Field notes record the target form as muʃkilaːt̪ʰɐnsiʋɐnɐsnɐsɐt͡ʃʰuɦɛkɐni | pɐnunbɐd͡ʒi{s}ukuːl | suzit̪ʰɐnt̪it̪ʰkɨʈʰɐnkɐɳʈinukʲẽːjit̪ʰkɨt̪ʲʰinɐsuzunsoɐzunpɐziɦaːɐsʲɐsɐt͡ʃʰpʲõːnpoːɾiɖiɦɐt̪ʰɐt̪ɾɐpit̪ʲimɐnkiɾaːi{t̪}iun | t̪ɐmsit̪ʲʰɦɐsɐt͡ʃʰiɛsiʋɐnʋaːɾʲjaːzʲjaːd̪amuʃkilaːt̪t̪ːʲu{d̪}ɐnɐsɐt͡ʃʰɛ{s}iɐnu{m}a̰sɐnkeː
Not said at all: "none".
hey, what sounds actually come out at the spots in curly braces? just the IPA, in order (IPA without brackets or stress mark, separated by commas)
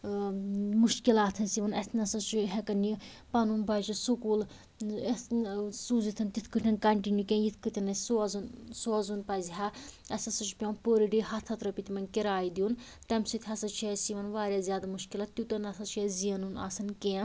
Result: s, d̪, t̪, z, n